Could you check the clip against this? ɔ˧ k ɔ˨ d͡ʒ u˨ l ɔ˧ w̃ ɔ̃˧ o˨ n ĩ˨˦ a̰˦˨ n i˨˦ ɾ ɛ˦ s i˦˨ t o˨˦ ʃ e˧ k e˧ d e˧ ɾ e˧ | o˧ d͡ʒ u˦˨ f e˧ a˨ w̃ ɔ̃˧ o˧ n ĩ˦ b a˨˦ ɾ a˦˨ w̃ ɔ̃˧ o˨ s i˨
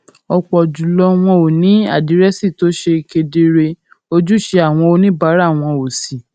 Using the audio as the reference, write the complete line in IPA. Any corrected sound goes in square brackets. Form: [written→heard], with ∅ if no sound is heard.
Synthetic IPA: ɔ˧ [k→k͡p] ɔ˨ d͡ʒ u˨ l ɔ˧ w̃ ɔ̃˧ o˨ n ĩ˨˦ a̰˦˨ [n→d] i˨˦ ɾ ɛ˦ s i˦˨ t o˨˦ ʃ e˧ k e˧ d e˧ ɾ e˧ | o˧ d͡ʒ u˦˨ [f→ʃ] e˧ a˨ w̃ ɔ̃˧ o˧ n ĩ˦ b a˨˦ ɾ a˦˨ w̃ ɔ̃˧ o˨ s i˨